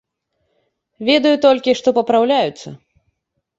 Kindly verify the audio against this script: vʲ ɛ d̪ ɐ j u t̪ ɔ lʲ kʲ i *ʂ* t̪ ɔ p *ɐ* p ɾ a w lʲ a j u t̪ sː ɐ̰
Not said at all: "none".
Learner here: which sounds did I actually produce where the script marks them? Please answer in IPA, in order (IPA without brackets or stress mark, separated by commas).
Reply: ʂ, ɐ